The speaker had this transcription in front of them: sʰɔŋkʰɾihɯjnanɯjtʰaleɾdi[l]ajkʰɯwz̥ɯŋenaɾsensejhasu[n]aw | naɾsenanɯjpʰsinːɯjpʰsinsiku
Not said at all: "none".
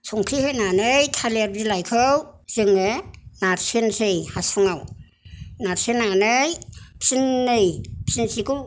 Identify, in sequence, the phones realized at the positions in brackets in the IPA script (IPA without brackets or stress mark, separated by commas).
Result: l, ŋ